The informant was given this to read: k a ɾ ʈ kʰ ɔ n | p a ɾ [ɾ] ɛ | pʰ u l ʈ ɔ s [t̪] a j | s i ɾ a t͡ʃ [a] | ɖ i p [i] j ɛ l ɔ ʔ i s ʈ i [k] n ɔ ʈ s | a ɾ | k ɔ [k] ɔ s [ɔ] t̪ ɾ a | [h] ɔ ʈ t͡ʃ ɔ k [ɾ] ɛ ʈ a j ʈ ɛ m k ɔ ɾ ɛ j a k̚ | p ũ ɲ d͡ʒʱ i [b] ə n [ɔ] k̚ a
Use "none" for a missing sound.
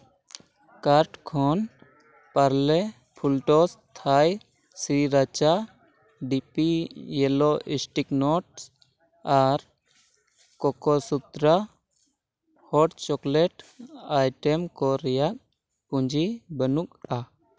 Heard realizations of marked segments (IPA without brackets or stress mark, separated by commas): l, t̪ʰ, a, i, k, k, u, h, l, b, u